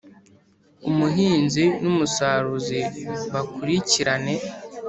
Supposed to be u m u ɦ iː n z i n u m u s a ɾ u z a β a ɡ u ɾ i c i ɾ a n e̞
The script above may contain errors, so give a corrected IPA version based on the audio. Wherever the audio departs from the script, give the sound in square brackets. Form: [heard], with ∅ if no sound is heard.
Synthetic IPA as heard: u m u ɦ iː n z i n u m u s a ɾ u z [i] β a [k] u ɾ i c i ɾ a n e̞